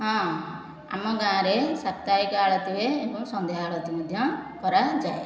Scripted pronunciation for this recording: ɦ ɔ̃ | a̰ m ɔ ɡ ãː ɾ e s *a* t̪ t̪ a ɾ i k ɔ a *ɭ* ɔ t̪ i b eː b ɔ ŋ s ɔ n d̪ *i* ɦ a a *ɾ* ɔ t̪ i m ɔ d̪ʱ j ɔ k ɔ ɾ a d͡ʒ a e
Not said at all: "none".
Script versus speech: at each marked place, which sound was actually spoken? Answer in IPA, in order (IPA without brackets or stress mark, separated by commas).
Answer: a, ɭ, e, ɭ